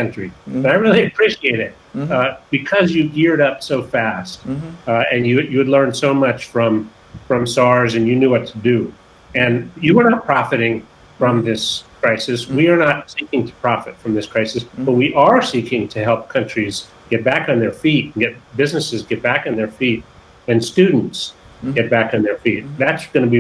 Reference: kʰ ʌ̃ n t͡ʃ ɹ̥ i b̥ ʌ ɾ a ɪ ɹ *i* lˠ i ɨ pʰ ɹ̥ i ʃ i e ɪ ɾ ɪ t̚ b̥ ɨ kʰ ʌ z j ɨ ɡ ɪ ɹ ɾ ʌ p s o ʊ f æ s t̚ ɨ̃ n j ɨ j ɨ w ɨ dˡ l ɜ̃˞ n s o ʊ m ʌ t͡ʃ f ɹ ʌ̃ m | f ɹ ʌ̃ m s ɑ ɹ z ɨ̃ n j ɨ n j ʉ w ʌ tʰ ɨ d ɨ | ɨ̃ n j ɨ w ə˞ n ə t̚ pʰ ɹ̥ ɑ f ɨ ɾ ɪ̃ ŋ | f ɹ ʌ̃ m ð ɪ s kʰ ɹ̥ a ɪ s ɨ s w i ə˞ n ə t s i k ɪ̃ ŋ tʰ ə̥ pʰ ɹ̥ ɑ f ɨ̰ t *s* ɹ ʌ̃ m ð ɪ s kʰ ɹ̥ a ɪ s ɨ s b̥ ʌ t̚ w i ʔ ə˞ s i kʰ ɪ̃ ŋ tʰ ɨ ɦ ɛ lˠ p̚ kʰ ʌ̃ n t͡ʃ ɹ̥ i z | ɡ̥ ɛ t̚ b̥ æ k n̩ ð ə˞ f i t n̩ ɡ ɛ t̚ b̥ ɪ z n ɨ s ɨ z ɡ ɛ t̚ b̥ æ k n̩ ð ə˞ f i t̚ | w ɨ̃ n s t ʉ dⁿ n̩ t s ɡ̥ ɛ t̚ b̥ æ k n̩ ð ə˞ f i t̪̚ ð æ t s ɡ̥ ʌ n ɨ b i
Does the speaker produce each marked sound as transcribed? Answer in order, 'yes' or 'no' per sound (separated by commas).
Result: no, no